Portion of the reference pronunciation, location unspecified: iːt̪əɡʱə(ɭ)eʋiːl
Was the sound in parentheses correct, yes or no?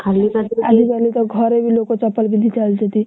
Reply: no